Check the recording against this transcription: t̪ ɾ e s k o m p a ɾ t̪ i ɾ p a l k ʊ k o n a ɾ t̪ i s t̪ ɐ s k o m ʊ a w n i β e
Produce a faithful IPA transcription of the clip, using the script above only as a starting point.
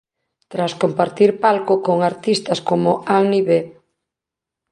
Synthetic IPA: t̪ ɾ a s k o m p a ɾ t̪ i ɾ p a l k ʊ k o ŋ a ɾ t̪ i s t̪ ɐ s k o m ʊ a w n i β e